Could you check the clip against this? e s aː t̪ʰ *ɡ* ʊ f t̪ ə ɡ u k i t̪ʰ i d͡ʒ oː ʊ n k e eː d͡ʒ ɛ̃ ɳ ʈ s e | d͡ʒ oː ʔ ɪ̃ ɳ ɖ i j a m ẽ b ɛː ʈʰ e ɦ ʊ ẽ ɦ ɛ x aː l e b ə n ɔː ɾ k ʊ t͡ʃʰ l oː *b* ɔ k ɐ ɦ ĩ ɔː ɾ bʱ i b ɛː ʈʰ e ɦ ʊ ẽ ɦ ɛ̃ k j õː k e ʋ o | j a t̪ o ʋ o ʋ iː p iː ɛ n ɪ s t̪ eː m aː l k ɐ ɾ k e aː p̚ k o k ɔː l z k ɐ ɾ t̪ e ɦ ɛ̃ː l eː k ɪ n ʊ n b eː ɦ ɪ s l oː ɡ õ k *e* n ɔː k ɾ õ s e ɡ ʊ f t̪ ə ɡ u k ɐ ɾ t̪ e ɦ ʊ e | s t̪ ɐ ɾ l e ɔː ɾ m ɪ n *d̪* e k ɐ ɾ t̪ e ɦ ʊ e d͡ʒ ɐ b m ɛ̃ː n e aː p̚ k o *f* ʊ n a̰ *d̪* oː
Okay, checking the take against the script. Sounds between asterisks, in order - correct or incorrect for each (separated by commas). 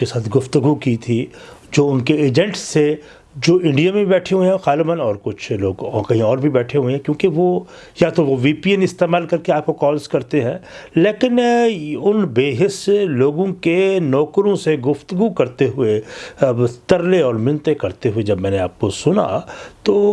correct, incorrect, correct, incorrect, incorrect, incorrect